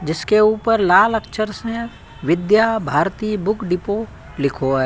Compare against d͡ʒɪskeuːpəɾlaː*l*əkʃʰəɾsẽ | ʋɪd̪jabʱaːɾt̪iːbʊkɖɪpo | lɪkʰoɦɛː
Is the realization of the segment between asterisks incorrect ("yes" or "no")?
no